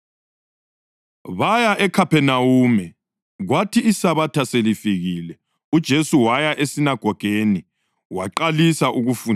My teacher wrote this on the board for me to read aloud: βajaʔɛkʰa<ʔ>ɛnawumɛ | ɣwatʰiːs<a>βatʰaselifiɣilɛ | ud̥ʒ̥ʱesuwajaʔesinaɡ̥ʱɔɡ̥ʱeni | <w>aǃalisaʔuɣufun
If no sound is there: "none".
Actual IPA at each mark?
p, a, w

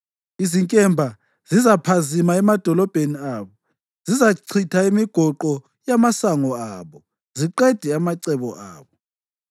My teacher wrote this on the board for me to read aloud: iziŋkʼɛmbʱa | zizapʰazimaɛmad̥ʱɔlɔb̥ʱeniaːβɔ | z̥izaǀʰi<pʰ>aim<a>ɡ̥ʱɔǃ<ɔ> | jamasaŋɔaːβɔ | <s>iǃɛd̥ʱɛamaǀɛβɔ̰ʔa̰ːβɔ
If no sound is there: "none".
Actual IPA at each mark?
tʰ, i, ɔ, z

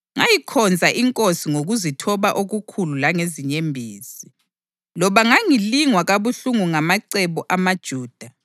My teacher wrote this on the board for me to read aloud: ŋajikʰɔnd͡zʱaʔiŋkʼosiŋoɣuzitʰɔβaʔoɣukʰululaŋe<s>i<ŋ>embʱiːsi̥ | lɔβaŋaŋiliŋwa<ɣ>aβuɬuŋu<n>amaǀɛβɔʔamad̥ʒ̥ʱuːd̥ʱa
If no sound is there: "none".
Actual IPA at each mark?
z, ɲ, ɣ, ŋ

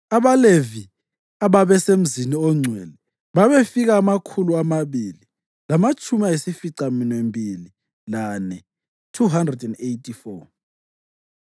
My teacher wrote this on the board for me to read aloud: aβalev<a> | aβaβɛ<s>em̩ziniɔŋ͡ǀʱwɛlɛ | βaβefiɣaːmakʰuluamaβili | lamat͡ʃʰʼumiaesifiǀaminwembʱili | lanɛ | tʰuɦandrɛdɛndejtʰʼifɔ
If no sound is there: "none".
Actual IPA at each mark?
i, s

